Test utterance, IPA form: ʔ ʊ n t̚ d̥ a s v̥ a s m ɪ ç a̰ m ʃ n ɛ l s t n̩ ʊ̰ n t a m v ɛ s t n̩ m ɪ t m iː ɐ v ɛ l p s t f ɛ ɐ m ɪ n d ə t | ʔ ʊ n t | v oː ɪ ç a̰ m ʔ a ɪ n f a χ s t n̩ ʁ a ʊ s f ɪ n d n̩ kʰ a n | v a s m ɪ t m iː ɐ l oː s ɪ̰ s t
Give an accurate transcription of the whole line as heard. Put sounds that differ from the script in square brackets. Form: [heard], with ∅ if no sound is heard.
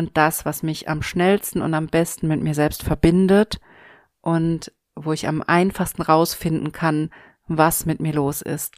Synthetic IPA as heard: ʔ ʊ n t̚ d̥ a s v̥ a s m ɪ ç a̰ m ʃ n ɛ l s t n̩ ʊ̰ n t a m [b] ɛ s t n̩ m ɪ t m iː ɐ [z] ɛ l p s t f ɛ ɐ [b] ɪ n d ə t | ʔ ʊ n t | v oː ɪ ç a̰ m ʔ a ɪ n f a χ s t n̩ ʁ a ʊ s f ɪ n d n̩ kʰ a n | v a s m ɪ t m iː ɐ l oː s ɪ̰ s t